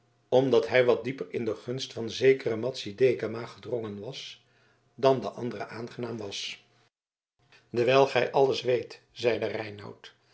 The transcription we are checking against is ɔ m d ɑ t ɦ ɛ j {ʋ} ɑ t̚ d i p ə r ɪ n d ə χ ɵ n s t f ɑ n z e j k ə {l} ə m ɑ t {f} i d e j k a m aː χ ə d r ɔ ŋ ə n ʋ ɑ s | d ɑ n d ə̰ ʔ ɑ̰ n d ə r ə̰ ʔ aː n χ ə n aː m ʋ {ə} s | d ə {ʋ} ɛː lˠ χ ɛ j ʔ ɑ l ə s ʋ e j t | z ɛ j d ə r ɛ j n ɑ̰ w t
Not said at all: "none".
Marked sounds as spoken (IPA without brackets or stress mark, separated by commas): ʋ, r, s, ɑ, ʋ